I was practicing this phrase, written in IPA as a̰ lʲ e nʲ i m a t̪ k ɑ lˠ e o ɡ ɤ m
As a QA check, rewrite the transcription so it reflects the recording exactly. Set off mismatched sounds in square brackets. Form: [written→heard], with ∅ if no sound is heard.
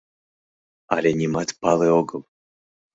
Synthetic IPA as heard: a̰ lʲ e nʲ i m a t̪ [k→p] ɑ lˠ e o ɡ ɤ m